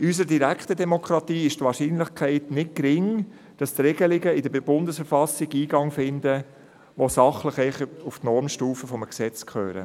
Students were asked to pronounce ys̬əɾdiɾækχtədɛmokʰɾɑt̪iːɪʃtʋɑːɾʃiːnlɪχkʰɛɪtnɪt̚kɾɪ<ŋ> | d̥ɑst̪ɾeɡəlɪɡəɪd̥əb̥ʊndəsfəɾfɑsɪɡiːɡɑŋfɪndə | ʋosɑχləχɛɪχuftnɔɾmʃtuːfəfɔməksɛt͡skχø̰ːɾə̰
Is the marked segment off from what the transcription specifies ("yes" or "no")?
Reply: no